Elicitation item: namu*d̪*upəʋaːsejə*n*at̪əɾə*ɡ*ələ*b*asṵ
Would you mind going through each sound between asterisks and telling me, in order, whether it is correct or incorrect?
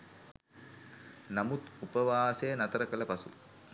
incorrect, correct, incorrect, incorrect

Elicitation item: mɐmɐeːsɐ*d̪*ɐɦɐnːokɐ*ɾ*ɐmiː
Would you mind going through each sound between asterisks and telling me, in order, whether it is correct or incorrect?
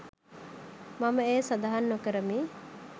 correct, correct

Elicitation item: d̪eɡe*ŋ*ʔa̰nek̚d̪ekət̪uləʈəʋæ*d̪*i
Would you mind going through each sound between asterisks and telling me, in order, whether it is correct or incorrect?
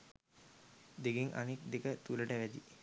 correct, correct

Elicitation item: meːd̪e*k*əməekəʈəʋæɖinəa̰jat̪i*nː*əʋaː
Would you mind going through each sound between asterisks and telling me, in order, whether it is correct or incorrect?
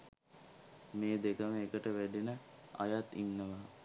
correct, correct

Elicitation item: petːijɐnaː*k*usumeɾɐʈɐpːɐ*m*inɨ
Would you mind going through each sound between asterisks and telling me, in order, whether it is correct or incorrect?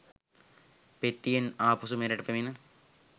incorrect, correct

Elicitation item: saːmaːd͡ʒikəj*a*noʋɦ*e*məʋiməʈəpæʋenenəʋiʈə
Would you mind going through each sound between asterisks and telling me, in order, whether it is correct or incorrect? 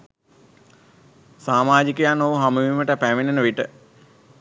correct, incorrect

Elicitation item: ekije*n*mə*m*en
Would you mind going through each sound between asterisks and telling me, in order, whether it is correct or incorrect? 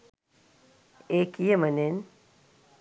incorrect, incorrect

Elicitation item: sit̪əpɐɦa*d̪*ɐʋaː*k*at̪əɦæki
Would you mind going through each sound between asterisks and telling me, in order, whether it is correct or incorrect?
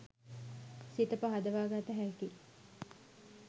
correct, incorrect

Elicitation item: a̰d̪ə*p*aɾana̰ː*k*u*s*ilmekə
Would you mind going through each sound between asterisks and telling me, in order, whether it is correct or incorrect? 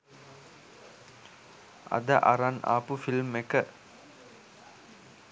incorrect, incorrect, incorrect

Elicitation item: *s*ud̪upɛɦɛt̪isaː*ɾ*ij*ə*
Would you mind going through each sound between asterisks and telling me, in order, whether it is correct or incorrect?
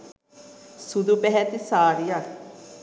correct, correct, incorrect

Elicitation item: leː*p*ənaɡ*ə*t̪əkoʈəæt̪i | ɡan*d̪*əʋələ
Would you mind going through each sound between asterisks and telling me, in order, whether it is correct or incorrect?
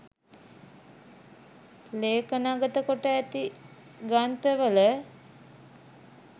incorrect, correct, incorrect

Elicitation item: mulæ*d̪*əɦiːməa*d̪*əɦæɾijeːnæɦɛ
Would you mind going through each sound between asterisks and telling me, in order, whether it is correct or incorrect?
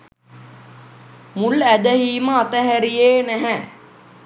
correct, incorrect

